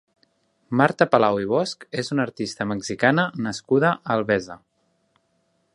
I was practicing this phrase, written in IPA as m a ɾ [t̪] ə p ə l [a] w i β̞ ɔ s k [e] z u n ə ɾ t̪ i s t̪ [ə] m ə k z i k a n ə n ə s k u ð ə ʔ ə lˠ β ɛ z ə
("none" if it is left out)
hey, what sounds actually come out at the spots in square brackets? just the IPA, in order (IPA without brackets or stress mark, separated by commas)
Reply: t̪, a, e, ə